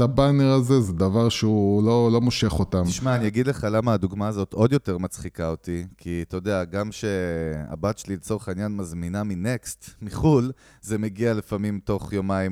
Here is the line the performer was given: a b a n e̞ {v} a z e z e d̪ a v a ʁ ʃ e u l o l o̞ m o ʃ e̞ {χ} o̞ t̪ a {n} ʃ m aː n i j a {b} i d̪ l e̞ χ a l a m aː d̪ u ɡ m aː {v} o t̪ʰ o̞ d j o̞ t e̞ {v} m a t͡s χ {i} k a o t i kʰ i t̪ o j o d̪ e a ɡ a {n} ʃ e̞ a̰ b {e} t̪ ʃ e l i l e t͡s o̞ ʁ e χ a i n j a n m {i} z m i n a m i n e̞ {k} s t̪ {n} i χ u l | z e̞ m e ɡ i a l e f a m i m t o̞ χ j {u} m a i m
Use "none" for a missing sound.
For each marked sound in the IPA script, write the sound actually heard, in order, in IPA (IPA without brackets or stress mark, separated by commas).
ʁ, χ, m, ɡ, z, ʁ, i, m, a, a, k, m, o